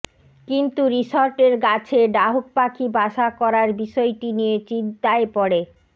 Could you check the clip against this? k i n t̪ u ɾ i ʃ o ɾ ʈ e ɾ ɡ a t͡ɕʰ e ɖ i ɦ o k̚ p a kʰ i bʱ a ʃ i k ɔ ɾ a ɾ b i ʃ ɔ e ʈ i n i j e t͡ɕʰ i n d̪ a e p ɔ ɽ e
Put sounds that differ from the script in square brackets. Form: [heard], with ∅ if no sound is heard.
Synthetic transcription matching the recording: k i n t̪ u ɾ i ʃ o ɾ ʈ e ɾ ɡ a t͡ɕʰ e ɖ [a] ɦ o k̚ p a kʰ i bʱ a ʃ [a] k ɔ ɾ a ɾ b i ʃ ɔ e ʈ i n i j e [t͡ɕ] i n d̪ a e p ɔ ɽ e